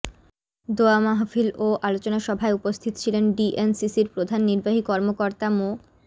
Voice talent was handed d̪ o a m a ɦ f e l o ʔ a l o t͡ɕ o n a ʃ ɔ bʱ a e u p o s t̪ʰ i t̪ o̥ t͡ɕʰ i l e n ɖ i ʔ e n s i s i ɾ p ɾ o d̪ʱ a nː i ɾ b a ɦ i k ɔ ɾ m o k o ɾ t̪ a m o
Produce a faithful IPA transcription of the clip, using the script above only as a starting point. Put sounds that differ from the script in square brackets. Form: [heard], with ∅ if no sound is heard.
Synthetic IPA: d̪ o a m a ɦ f [i] l o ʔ a l o t͡ɕ o n a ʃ ɔ bʱ a e u p o s t̪ʰ i t̪ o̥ t͡ɕʰ i l e n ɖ i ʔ e n s i s i ɾ p ɾ o d̪ʱ a nː i ɾ b a ɦ i k ɔ ɾ m o k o ɾ t̪ a m o